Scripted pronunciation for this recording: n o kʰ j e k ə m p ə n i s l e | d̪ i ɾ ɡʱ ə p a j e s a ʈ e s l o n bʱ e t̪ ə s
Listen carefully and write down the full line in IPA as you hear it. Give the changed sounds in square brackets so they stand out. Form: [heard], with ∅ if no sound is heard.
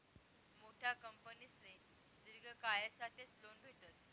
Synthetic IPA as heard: [m] o [ʈʰ] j [a] k ə m p ə n i s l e | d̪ i ɾ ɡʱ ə [k] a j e s a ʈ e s l o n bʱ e t̪ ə s

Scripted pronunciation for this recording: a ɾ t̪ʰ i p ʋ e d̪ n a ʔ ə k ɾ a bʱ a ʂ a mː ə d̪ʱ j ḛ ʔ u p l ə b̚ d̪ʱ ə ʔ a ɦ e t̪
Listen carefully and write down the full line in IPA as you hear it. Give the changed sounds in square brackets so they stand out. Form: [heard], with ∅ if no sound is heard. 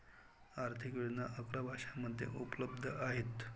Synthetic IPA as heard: a ɾ t̪ʰ i [k] ʋ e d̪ n a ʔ ə k ɾ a bʱ a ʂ a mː ə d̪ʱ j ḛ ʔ u p l ə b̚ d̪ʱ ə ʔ a ɦ e t̪

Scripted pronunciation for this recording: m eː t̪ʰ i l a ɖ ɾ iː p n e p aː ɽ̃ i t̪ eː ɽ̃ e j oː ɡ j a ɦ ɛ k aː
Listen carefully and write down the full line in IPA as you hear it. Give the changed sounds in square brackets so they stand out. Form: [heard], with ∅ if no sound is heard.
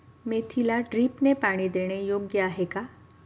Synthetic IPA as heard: m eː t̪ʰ i l a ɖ ɾ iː p n e p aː ɽ̃ i [d̪] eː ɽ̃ e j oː ɡ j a ɦ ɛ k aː

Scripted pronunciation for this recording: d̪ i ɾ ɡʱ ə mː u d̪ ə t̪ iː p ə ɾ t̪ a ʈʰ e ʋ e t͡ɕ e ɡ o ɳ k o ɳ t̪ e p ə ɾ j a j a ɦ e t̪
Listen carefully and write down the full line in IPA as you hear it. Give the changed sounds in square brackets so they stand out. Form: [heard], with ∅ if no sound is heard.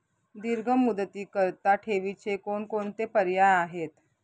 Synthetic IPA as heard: d̪ i ɾ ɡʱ ə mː u d̪ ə t̪ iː [k] ə ɾ t̪ a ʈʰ e ʋ [i] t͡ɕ e [k] o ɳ k o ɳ t̪ e p ə ɾ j a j a ɦ e t̪

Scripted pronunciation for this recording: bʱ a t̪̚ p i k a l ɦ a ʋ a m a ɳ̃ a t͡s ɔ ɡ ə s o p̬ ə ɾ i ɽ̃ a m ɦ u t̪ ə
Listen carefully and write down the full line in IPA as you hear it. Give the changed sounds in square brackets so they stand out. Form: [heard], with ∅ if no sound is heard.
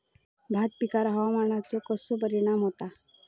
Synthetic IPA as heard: bʱ a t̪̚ p i k a [ɾ] ɦ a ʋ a m a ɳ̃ a t͡s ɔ [k] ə s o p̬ ə ɾ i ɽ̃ a m ɦ [o] t̪ [a]

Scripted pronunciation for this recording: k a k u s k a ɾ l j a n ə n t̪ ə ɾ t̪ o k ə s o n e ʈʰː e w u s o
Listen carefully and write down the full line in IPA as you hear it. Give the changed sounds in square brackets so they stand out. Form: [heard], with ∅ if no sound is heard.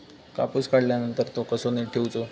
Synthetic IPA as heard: k a [p] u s k a [ɽ] l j a n ə n t̪ ə ɾ t̪ o k ə s o n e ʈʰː e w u [t͡s] o

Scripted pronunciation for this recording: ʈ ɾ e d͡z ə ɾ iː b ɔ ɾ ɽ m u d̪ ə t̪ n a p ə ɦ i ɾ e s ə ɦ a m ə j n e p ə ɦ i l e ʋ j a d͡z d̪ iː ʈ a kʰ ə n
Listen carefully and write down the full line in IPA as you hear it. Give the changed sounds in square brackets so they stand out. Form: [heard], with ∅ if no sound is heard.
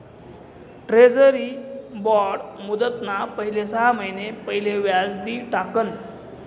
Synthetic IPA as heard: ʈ ɾ e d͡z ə ɾ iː b ɔ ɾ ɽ m u d̪ ə t̪ n a p ə ɦ i [l] e s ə ɦ a m ə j n e p ə ɦ i l e ʋ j a d͡z d̪ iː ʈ a [k] ə n

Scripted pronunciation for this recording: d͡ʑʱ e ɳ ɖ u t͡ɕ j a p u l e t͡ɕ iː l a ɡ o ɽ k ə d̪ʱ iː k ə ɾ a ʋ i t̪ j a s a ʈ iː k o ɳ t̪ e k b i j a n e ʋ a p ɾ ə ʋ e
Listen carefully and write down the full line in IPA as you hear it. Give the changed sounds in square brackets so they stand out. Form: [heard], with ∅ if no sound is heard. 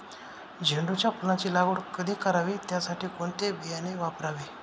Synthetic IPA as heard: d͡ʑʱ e ɳ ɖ u t͡ɕ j a p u l [a] t͡ɕ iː l a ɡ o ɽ k ə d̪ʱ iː k ə ɾ a ʋ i t̪ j a s a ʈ iː k o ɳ t̪ e [∅] b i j a n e ʋ a p ɾ [a] ʋ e

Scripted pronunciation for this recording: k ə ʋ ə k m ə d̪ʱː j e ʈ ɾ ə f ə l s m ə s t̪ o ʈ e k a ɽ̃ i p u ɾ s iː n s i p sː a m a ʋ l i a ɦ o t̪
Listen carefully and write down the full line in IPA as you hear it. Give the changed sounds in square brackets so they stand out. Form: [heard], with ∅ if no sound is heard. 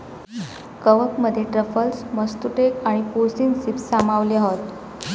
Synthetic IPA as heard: k ə ʋ ə k m ə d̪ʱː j e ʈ ɾ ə f ə l s m ə s t̪ [u] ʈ e k a ɽ̃ i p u ɾ s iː n s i p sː a m a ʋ l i a ɦ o t̪

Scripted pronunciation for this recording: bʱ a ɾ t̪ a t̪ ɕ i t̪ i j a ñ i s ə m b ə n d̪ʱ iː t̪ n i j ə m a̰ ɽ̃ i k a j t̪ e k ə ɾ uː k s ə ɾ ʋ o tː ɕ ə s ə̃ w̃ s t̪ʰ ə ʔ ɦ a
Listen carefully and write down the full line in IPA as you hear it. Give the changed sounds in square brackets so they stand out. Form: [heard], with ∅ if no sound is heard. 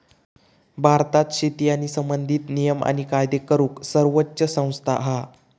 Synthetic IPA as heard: bʱ a ɾ t̪ a t̪ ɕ i t̪ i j a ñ i s ə m b ə n d̪ʱ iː t̪ n i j ə m a̰ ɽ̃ i k a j [d̪] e k ə ɾ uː k s ə ɾ ʋ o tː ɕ ə s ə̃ w̃ s t̪ʰ [a] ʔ ɦ a

